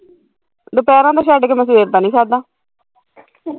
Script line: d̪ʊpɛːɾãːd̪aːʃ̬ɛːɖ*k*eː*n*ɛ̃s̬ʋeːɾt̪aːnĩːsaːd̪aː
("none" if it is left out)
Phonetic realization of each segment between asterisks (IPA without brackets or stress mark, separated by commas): k, m